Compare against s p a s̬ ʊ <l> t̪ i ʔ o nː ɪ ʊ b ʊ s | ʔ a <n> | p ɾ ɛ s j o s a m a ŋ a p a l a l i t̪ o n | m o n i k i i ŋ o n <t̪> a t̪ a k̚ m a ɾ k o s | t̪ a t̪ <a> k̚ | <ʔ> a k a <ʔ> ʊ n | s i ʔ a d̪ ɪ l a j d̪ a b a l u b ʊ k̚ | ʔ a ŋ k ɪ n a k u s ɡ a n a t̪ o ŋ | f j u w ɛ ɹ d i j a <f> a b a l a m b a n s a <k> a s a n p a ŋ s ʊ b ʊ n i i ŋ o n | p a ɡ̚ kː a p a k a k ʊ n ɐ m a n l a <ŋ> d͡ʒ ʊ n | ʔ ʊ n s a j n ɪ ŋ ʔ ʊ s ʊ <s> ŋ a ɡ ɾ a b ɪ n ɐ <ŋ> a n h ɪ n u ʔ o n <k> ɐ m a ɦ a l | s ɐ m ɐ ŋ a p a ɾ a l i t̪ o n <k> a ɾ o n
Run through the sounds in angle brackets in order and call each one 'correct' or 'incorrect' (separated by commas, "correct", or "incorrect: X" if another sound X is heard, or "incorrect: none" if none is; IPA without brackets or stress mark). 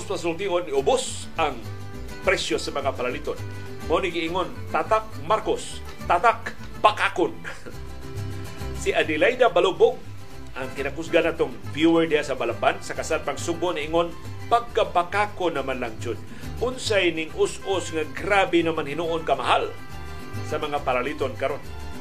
correct, incorrect: ŋ, correct, correct, incorrect: p, incorrect: k, incorrect: s, correct, correct, correct, incorrect: m, correct, correct